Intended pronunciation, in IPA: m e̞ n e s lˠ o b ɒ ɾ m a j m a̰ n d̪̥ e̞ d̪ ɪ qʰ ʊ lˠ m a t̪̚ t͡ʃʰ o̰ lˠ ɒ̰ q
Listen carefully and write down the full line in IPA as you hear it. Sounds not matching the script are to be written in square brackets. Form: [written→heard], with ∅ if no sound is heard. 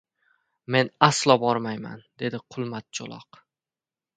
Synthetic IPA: m e̞ n [e→a] s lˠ [o→ɒ] b ɒ ɾ m a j m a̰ n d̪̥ e̞ d̪ ɪ qʰ ʊ lˠ m a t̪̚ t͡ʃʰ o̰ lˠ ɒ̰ q